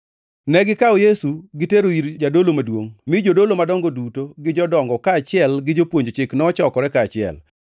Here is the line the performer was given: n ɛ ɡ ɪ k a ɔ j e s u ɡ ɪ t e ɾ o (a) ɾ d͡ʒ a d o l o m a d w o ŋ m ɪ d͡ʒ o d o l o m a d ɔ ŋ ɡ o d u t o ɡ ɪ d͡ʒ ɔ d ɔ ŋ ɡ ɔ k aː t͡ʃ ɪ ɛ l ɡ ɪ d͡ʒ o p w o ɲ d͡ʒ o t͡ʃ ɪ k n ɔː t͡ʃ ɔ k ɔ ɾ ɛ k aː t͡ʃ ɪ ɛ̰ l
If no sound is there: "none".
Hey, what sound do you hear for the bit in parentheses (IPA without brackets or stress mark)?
i